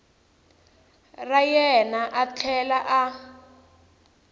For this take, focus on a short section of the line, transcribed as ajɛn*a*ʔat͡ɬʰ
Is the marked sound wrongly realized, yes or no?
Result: no